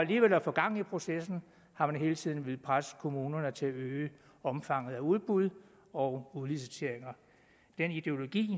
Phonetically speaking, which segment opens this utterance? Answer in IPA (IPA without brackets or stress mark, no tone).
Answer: æ